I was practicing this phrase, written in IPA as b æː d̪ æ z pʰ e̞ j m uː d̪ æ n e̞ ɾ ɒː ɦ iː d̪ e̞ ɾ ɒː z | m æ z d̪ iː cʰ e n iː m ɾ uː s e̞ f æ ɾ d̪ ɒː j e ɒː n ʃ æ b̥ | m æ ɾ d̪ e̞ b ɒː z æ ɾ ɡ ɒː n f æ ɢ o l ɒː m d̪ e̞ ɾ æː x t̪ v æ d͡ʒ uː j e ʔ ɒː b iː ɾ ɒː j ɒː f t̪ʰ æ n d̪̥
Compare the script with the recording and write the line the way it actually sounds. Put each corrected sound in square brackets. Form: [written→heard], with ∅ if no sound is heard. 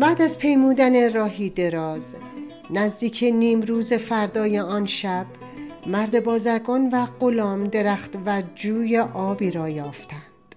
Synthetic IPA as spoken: b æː d̪ æ z pʰ e̞ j m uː d̪ æ n e̞ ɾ ɒː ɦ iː d̪ e̞ ɾ ɒː z | [m→n] æ z d̪ iː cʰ e n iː m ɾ uː [s→z] e̞ f æ ɾ d̪ ɒː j e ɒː n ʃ æ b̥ | m æ ɾ d̪ e̞ b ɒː z æ ɾ ɡ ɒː n [f→v] æ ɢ o l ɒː m d̪ e̞ ɾ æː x t̪ v æ d͡ʒ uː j e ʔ ɒː b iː ɾ ɒː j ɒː f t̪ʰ æ n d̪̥